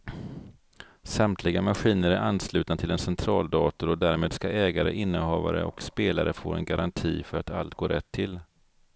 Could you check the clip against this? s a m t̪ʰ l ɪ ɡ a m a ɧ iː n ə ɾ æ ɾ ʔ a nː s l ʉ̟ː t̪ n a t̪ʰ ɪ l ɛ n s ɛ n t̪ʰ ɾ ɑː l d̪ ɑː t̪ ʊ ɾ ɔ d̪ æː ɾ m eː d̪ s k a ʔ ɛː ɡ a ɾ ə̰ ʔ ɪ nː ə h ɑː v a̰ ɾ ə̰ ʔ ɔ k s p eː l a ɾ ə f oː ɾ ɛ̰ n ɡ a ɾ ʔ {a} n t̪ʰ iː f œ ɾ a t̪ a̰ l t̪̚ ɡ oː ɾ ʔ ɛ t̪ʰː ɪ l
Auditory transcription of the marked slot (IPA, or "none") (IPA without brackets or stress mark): a